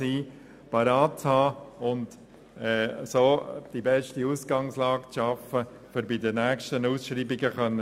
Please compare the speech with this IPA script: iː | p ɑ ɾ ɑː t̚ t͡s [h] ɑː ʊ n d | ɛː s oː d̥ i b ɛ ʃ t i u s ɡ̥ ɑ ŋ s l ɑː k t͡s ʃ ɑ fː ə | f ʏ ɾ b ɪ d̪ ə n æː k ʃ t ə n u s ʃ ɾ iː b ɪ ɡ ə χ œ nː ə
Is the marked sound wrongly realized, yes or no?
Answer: no